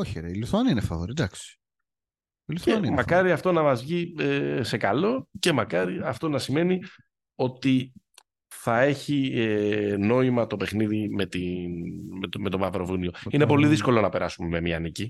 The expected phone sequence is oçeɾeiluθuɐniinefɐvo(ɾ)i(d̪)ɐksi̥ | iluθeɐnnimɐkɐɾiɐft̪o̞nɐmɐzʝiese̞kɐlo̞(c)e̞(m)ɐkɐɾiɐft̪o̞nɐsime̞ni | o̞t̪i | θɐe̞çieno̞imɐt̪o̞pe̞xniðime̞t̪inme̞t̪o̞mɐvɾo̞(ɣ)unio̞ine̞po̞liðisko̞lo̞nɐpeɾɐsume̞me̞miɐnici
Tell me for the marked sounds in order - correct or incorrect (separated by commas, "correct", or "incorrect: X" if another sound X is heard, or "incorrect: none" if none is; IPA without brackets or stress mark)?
correct, correct, correct, correct, incorrect: v